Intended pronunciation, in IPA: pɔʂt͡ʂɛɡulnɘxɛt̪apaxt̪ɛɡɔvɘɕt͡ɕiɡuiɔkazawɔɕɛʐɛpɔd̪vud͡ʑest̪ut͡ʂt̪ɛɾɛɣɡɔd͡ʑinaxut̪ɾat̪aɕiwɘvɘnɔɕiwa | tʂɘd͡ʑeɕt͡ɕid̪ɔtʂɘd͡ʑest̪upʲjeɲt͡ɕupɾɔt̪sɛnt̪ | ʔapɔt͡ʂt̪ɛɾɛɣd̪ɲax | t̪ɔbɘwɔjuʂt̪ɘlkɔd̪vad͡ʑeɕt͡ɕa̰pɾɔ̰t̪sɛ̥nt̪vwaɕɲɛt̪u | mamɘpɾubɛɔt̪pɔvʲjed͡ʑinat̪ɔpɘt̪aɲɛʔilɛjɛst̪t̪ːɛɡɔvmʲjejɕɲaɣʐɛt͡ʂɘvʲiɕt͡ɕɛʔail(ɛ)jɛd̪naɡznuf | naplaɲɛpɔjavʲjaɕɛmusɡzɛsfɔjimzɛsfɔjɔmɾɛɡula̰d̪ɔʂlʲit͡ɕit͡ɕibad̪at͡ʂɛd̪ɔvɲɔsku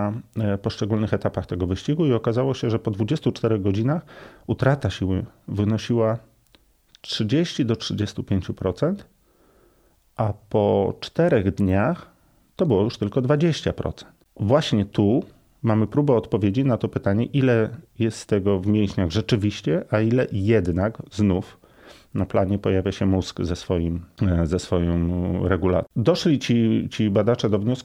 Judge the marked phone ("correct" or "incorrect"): correct